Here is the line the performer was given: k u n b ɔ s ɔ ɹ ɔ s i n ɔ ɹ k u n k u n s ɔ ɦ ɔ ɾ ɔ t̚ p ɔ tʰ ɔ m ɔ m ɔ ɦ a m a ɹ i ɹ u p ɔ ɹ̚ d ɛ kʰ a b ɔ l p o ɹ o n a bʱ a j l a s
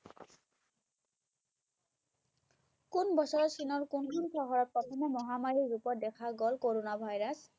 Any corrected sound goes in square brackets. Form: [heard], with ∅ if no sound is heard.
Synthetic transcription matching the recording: k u n b ɔ s ɔ ɹ ɔ s i n ɔ ɹ k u n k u n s ɔ ɦ ɔ [ɹ] ɔ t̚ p ɔ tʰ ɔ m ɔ m ɔ ɦ a m a ɹ i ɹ u p ɔ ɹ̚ d ɛ kʰ a [ɡ] ɔ l [k] o ɹ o n a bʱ a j [ɹ] a s